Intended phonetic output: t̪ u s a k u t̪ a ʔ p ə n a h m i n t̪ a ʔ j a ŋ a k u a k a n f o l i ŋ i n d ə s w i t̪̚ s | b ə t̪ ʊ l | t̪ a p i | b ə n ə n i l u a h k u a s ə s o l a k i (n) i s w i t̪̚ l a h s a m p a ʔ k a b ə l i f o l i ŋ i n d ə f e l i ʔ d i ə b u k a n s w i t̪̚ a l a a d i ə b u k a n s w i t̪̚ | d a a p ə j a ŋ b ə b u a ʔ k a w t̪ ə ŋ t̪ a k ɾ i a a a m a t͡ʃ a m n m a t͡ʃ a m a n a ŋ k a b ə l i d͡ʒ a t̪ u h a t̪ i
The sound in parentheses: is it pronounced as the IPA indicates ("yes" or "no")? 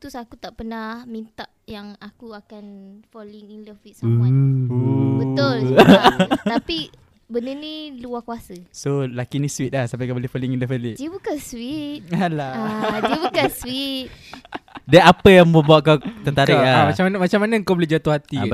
yes